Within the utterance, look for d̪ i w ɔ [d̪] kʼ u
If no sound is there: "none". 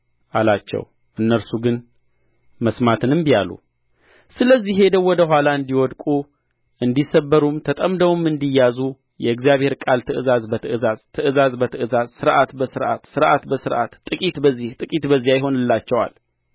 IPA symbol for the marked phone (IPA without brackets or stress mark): d̪